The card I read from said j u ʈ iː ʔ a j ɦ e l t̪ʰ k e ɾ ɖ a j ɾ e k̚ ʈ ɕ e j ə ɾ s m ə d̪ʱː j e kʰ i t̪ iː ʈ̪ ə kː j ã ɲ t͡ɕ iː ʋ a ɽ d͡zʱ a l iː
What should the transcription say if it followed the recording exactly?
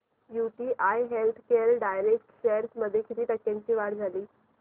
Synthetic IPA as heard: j u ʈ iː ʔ a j ɦ e l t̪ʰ k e ɾ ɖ a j ɾ e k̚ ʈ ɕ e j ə ɾ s m ə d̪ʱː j e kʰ i t̪ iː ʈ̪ ə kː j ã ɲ t͡ɕ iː ʋ a ɽ d͡zʱ a l iː

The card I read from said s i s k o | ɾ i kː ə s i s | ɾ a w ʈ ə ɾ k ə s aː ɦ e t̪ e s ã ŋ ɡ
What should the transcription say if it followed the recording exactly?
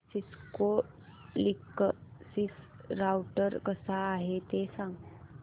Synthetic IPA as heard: s i s k o | l i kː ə s i s | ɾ a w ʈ ə ɾ k ə s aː ɦ e t̪ e s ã ŋ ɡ

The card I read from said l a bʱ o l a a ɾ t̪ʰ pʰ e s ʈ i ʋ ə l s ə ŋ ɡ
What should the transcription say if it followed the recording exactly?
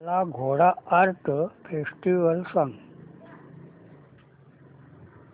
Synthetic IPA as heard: l a ɡʱ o ɽ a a ɾ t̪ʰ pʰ e s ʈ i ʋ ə l s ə ŋ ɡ

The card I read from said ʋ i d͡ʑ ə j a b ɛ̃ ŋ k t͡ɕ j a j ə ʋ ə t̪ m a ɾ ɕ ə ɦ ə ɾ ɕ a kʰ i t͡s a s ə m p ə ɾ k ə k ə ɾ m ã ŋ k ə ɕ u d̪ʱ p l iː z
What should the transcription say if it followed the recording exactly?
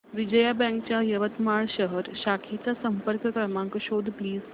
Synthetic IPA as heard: ʋ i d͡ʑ ə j a b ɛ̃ ŋ k t͡ɕ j a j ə ʋ ə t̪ m a ɭ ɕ ə ɦ ə ɾ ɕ a kʰ i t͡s a s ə m p ə ɾ k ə k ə ɾ m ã ŋ k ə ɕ o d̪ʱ p l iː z

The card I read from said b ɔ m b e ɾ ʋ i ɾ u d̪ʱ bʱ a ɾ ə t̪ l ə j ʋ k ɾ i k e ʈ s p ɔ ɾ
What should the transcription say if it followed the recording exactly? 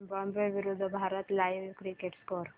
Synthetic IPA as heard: b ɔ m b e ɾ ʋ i ɾ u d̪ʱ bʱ a ɾ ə t̪ l a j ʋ k ɾ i k e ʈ s k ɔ ɾ

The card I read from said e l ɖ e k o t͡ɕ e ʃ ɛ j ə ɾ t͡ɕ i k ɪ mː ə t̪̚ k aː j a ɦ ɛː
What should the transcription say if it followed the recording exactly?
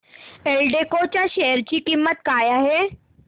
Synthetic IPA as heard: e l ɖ e k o t͡ɕ a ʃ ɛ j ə ɾ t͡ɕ i k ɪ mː ə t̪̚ k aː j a ɦ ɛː

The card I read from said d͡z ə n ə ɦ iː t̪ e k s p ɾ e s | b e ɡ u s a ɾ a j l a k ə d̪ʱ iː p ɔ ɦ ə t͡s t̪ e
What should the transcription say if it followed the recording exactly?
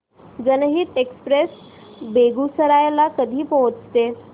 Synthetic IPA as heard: d͡z ə n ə ɦ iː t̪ e k s p ɾ e s | b e ɡ u s ə ɾ a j l a k ə d̪ʱ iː p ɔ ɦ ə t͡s t̪ e

